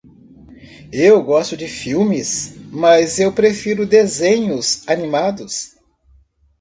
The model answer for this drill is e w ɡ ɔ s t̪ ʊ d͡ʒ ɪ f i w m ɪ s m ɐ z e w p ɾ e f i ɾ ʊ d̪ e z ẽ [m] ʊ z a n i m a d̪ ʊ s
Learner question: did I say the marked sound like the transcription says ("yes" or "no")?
no